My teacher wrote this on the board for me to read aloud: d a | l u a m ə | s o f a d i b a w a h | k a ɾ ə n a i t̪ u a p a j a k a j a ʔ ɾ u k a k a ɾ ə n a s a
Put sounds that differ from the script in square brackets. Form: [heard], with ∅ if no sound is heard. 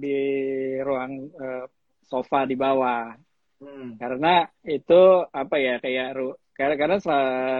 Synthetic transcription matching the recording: d [i] | [ɾ] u a [ŋ] ə | s o f a d i b a w a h | k a ɾ ə n a i t̪ u a p a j a k a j a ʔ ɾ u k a k a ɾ ə n a s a